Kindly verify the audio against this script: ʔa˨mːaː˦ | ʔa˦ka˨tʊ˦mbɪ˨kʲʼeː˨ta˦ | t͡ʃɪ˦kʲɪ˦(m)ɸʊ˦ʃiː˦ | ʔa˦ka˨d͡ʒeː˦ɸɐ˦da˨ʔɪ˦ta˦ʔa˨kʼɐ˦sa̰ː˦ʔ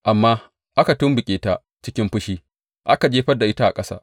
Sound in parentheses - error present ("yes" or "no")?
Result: no